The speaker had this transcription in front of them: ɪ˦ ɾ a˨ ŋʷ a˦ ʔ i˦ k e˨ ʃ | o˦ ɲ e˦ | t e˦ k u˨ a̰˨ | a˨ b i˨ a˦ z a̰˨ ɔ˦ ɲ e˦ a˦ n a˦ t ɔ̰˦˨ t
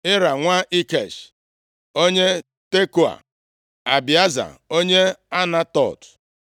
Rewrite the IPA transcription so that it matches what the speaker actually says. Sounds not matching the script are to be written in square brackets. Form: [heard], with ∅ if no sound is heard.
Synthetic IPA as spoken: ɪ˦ ɾ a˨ ŋʷ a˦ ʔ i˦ k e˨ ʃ | o˦ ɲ e˦ | t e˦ k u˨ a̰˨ | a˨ b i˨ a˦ z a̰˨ [o˦] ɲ e˦ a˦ n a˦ t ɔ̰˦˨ t

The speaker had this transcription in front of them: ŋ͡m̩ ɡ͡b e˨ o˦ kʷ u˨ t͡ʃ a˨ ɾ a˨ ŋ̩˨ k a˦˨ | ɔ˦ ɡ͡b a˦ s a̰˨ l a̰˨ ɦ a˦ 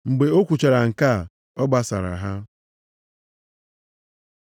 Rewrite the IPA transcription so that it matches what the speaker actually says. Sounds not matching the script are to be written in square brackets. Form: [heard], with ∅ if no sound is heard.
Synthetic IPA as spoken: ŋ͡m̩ ɡ͡b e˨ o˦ kʷ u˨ t͡ʃ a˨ ɾ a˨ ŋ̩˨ k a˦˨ | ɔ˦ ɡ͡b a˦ s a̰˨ [ɾ] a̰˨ ɦ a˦

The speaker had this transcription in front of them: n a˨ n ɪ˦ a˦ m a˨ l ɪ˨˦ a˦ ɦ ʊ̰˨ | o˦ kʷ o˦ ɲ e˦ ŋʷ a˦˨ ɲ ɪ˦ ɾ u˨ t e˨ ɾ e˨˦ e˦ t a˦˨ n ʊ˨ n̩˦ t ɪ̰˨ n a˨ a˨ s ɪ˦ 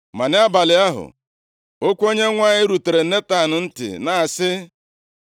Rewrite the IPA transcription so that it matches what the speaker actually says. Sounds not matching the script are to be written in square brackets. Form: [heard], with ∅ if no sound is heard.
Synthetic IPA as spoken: [m] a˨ n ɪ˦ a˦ [b] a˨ l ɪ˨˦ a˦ ɦ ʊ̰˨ | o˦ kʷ o˦ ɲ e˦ ŋʷ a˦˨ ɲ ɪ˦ ɾ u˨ t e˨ ɾ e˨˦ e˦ t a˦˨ n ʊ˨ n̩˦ t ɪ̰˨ n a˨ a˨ s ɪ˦

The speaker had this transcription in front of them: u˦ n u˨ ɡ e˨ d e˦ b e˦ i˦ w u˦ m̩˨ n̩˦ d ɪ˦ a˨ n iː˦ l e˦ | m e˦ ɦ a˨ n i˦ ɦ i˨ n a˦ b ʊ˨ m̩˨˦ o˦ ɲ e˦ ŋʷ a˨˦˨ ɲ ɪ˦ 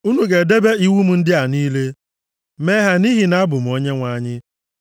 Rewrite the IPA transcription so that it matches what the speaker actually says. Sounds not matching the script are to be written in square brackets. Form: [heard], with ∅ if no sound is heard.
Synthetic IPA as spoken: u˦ n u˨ ɡ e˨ d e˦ b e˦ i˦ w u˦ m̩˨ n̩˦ d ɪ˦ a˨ n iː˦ l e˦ | m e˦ ɦ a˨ n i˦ ɦ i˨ n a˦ b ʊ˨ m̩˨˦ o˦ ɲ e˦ ŋʷ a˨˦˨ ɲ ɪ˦

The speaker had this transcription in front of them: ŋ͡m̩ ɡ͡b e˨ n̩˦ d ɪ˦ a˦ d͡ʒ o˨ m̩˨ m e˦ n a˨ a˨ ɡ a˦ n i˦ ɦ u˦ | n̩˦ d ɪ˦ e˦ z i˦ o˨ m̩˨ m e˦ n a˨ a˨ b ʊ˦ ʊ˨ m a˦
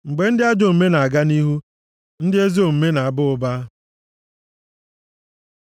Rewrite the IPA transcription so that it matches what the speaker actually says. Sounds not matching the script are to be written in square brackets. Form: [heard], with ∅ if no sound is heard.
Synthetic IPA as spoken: ŋ͡m̩ ɡ͡b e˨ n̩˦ d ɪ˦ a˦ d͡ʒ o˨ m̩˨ m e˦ n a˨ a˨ ɡ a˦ n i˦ ɦ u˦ | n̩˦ d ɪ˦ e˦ z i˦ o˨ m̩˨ m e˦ n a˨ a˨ b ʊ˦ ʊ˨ [b] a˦

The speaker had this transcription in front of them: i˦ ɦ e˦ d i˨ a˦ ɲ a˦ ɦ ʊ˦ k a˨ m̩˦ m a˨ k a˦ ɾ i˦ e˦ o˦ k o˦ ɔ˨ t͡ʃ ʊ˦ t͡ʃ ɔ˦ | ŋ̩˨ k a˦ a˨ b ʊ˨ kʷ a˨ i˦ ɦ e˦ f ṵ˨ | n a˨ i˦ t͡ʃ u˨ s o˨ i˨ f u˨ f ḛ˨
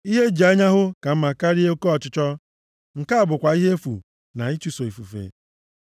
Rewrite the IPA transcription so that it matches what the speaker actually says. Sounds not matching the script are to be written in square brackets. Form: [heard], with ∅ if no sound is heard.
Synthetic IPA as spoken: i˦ ɦ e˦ [d͡ʒ] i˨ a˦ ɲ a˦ ɦ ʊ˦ k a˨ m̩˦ m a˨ k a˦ ɾ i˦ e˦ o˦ k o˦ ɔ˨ t͡ʃ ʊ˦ t͡ʃ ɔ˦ | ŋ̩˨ k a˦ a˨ b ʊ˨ kʷ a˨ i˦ ɦ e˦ f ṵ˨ | n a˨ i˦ t͡ʃ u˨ s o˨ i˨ f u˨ f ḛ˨

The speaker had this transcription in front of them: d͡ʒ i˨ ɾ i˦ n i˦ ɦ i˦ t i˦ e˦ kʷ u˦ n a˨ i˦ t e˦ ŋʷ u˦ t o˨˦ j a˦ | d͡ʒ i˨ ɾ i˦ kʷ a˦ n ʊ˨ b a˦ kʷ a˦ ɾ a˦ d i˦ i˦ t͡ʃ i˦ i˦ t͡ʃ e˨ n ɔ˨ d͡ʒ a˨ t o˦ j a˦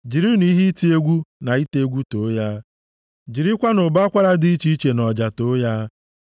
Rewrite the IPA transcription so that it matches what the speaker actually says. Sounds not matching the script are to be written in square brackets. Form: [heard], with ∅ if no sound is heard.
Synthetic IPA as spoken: d͡ʒ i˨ ɾ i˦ n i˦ ɦ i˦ t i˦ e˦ [ɡʷ] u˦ n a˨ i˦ t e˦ [ɡʷ] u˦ t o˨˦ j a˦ | d͡ʒ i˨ ɾ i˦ kʷ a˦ n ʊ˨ b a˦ kʷ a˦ ɾ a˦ d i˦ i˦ t͡ʃ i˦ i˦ t͡ʃ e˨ n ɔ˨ d͡ʒ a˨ t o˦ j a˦

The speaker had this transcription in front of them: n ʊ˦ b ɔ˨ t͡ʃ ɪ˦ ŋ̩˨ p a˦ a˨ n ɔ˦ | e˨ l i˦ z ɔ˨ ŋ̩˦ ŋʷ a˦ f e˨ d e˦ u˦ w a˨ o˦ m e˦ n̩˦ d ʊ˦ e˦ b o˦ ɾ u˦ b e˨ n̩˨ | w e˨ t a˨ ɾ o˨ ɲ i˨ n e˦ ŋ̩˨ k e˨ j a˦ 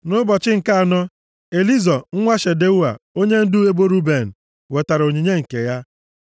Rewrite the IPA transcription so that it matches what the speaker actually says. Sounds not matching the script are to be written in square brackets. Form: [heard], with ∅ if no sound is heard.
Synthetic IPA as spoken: n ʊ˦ b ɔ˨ t͡ʃ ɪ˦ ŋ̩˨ [k] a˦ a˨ n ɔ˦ | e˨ l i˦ z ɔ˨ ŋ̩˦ ŋʷ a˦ [ʃ] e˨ d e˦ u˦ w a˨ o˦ [ɲ] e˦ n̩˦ d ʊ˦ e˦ b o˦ ɾ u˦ b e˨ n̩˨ | w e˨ t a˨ ɾ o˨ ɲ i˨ [ɲ] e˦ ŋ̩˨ k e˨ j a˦

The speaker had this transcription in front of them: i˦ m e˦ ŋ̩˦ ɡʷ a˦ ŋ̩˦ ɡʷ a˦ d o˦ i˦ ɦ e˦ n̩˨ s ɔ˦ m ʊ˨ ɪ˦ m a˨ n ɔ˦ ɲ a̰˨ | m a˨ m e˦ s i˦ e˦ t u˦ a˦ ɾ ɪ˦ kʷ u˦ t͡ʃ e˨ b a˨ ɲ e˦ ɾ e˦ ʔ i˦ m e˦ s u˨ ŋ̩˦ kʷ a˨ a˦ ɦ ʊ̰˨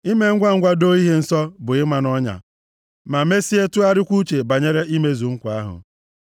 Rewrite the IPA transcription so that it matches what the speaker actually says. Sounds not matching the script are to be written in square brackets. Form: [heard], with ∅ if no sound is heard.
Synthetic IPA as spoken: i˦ m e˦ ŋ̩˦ ɡʷ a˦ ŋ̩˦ ɡʷ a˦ d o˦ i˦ ɦ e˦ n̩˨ s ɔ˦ [b] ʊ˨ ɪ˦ m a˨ n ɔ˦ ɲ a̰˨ | m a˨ m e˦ s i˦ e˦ t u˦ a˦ ɾ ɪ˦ kʷ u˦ t͡ʃ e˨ b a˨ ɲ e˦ ɾ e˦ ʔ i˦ m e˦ [z] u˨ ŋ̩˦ kʷ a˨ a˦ ɦ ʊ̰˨

